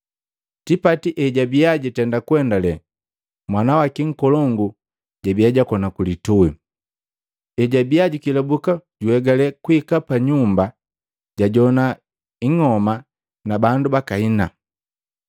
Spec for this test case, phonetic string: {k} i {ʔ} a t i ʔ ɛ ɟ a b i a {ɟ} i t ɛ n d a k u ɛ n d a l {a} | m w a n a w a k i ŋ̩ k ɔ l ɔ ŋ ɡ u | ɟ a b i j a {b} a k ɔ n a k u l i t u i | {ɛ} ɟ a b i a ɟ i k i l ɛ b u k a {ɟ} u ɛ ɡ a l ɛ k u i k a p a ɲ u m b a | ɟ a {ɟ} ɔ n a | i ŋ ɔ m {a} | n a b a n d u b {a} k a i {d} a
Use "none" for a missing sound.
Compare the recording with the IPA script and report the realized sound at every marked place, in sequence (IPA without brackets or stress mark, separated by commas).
t, p, ɟ, ɛ, ɟ, ɛ, ɟ, ɟ, a, a, n